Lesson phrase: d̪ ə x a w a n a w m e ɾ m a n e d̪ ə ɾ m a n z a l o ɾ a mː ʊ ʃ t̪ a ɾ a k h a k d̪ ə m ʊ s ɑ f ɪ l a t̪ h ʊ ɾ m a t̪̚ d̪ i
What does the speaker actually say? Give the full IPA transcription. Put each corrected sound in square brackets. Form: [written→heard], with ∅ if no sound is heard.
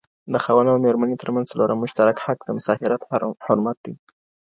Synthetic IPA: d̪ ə x a w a n a w m e ɾ m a n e [d̪→t̪] ə ɾ m a n z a l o ɾ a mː ʊ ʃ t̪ a ɾ a k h a k d̪ ə m ʊ s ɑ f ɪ [l→ɾ] a t̪ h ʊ ɾ m a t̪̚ d̪ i